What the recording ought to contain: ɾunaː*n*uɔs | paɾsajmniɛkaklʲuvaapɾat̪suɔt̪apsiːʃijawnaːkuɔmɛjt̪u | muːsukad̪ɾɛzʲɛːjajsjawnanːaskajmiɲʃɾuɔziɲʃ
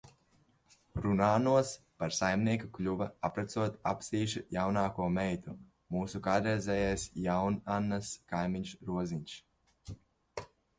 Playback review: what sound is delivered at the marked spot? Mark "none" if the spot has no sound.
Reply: n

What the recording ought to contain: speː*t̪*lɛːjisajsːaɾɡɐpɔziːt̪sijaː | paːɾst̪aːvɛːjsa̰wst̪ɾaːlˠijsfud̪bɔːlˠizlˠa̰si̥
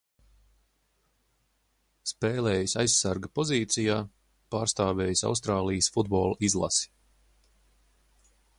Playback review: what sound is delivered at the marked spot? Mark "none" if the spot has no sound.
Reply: none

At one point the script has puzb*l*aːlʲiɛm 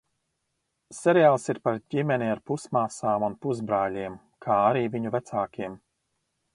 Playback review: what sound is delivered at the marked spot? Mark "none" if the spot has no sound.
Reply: ɾ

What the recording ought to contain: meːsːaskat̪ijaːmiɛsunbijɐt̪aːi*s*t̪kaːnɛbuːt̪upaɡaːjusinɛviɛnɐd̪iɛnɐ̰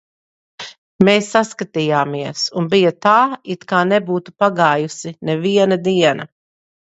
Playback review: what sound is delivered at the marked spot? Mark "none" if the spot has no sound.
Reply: none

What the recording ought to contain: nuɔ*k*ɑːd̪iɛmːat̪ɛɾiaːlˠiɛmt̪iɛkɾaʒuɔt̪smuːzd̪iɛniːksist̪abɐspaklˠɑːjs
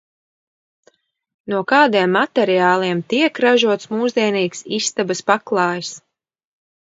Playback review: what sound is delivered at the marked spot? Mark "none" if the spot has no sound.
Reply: k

